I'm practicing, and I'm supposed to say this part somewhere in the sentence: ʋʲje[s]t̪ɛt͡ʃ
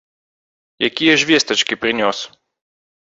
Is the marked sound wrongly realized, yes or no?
no